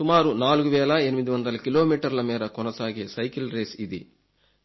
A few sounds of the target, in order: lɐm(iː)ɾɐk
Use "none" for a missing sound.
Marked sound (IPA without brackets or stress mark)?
ɛː